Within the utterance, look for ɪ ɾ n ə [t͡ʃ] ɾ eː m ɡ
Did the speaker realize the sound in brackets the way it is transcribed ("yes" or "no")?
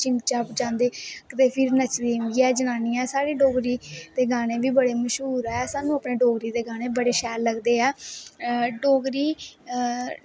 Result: yes